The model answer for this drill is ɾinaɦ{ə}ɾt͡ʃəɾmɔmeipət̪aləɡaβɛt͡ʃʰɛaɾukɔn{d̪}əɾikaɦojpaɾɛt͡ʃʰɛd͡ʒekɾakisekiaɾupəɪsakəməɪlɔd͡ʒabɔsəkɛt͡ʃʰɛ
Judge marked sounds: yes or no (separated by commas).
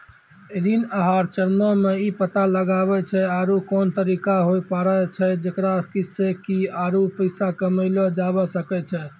no, no